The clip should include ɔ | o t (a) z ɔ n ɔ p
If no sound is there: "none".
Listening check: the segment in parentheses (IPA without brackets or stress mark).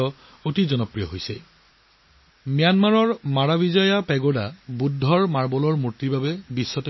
i